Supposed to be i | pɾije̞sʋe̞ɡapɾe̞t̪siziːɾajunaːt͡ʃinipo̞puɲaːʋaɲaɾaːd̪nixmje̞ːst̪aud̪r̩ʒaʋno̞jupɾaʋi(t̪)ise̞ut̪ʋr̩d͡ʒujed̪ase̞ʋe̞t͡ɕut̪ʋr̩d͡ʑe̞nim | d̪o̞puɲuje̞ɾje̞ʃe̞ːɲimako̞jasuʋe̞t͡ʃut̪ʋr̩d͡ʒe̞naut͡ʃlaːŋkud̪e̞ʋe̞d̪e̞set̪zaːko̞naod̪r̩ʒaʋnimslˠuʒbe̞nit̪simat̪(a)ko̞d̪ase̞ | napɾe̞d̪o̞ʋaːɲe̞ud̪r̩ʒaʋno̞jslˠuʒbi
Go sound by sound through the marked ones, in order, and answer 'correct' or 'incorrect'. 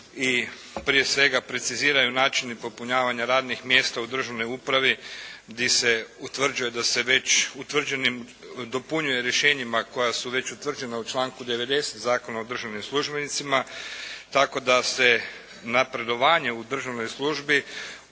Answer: incorrect: d̪, correct

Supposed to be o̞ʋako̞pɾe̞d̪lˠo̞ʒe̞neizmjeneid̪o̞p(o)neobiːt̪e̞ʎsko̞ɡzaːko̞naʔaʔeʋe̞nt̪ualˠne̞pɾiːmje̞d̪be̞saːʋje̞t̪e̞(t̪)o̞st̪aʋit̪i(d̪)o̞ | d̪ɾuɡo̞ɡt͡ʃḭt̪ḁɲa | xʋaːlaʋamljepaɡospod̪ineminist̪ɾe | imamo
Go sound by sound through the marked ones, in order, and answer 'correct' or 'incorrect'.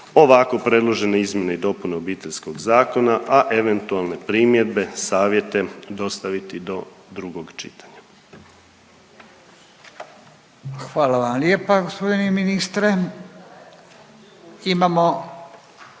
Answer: incorrect: u, incorrect: d̪, correct

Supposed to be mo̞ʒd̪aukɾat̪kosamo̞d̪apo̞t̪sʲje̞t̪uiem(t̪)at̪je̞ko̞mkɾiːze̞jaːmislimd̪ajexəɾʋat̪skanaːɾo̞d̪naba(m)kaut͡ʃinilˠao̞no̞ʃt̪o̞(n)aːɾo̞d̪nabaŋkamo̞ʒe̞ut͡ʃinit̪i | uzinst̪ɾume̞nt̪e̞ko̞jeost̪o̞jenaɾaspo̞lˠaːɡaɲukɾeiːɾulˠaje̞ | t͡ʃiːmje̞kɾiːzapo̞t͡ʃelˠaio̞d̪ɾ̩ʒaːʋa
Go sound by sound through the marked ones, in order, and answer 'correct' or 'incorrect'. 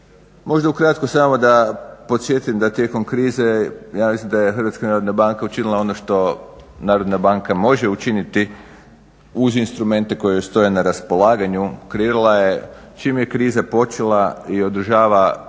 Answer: incorrect: d̪, incorrect: ŋ, correct

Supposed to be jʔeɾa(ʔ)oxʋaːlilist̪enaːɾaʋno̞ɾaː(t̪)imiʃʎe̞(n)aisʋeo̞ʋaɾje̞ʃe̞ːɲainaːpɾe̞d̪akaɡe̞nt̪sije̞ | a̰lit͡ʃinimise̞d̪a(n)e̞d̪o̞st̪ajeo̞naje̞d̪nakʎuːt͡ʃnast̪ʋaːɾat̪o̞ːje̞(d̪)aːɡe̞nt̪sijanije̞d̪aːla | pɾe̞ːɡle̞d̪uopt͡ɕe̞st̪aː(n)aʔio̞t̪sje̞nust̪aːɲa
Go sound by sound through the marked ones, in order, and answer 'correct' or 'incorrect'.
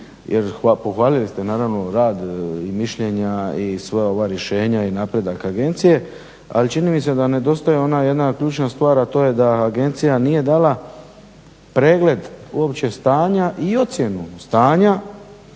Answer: incorrect: p, incorrect: d̪, incorrect: ɲ, correct, correct, incorrect: ɲ

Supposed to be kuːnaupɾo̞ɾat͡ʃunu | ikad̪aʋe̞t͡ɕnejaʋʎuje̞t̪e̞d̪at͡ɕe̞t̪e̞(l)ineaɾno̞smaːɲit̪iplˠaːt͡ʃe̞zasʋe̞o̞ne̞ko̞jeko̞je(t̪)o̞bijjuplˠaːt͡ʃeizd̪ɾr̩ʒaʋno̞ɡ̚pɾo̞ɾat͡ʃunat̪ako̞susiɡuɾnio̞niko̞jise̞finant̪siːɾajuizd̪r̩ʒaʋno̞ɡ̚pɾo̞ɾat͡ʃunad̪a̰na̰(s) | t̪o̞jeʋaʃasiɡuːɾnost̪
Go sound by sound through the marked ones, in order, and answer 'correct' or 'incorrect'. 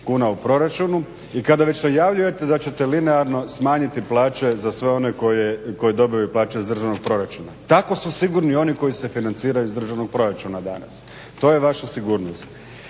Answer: correct, incorrect: d̪, correct

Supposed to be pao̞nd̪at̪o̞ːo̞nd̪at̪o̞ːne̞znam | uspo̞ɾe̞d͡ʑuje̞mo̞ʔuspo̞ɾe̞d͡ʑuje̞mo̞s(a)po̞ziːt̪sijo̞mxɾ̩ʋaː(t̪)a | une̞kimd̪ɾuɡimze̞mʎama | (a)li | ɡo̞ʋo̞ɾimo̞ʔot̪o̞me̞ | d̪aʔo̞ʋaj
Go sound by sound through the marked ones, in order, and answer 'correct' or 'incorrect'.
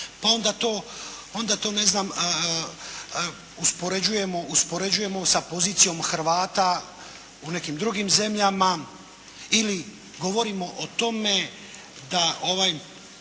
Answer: correct, correct, incorrect: i

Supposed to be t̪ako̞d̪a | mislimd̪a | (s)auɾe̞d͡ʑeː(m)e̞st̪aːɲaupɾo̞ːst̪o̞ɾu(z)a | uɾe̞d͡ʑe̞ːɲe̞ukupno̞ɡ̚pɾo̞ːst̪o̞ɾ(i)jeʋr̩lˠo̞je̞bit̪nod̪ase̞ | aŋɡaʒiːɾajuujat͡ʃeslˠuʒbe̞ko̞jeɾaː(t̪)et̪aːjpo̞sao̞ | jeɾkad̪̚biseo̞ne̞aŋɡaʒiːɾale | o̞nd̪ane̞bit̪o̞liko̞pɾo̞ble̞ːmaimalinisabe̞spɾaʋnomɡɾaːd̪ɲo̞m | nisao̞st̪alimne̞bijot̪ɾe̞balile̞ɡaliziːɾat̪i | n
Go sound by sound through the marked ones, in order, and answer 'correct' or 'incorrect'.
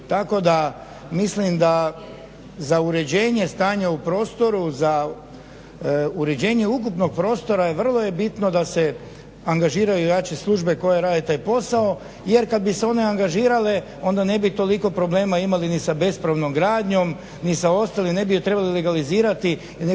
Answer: incorrect: z, incorrect: ɲ, correct, incorrect: a, incorrect: d̪

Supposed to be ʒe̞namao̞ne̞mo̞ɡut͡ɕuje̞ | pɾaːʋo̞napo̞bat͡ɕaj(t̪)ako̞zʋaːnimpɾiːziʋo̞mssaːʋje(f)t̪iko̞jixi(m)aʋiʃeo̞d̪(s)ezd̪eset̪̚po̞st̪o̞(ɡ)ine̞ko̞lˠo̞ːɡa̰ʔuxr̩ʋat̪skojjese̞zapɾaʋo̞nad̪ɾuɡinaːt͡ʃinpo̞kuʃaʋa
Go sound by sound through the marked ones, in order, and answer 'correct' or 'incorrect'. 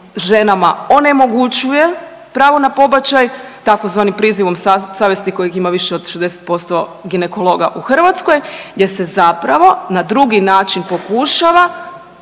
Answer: correct, incorrect: s, correct, incorrect: ʃ, correct

